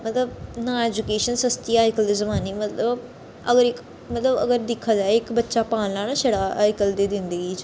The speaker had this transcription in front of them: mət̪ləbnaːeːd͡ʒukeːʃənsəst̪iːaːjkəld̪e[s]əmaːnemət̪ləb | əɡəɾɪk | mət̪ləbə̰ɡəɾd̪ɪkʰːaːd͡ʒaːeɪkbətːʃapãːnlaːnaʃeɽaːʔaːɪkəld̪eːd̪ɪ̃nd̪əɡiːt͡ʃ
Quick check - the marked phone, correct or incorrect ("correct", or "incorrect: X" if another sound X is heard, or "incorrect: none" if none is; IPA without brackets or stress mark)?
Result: incorrect: z